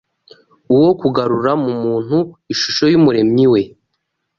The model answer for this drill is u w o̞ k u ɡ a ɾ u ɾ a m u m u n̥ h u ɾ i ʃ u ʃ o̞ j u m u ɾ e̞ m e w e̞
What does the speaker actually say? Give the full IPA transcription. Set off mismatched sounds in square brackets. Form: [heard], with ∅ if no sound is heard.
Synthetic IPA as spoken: u w o̞ k u ɡ a ɾ u ɾ a m u m [uː] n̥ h u [∅] i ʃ u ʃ o̞ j u m u ɾ e̞ m [i] w e̞